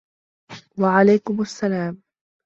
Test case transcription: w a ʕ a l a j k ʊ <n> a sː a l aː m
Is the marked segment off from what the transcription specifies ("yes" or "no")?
yes